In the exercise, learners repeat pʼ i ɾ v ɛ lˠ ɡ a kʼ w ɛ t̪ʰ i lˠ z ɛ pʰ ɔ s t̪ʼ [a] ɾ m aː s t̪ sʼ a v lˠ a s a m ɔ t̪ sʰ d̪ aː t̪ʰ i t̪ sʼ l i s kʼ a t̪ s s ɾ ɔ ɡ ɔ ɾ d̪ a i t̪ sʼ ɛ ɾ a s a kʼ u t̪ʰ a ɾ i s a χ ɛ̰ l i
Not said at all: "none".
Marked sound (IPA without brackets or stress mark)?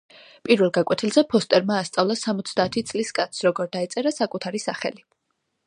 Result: ɛ